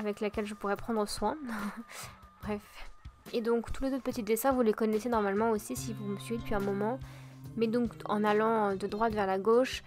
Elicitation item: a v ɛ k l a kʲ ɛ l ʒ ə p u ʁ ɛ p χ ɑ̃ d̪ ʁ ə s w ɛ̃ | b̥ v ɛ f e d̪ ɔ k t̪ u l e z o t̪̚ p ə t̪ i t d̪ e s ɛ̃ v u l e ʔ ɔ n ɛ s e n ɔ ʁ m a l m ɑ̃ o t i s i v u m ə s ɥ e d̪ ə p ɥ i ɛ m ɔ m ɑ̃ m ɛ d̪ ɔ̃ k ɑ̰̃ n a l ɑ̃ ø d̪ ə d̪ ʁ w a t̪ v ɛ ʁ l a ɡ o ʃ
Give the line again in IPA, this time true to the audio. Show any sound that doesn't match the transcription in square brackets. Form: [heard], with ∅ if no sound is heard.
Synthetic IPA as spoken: a v ɛ k l a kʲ ɛ l ʒ ə p u ʁ ɛ p χ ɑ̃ d̪ ʁ ə s w ɛ̃ | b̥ [ʁ] ɛ f e d̪ [ɔ̃] k t̪ u l e z o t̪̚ p ə t̪ i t d̪ e s ɛ̃ v u l e [k] ɔ n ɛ s e n ɔ ʁ m a l m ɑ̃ o [s] i s i v u m ə s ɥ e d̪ ə p ɥ i [ɛ̃] m ɔ m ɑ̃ m ɛ d̪ ɔ̃ k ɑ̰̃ n a l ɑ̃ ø d̪ ə d̪ ʁ w a t̪ v ɛ ʁ l a ɡ o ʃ